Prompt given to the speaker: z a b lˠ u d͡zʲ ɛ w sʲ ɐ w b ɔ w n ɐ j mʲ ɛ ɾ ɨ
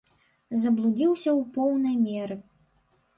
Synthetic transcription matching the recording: z ɐ b lˠ u d͡zʲ i w sʲ ɐ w p ɔ w n ɐ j mʲ ɛ ɾ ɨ